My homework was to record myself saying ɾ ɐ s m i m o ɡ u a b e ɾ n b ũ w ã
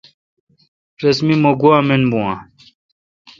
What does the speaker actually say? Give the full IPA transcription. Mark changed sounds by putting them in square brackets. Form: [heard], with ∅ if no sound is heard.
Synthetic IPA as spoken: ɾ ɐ s m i m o ɡ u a [m] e [∅] n b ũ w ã